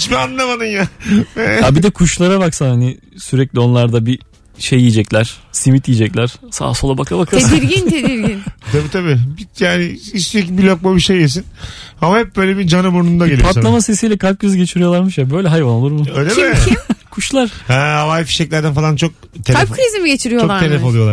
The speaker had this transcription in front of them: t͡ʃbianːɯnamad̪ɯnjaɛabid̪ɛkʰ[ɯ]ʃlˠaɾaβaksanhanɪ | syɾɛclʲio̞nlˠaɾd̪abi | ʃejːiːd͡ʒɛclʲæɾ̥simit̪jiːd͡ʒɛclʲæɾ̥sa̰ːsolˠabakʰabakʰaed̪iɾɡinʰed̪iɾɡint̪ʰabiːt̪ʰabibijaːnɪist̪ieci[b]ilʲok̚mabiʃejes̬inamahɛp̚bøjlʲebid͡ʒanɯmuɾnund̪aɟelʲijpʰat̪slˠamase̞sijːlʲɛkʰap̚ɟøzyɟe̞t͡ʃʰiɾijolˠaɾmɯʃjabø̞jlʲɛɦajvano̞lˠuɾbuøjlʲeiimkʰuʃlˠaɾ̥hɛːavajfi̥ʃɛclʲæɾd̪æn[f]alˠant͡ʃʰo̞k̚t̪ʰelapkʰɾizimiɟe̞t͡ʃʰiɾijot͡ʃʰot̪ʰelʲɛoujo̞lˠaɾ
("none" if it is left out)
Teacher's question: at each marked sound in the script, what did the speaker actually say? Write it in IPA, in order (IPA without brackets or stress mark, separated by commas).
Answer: u, b, f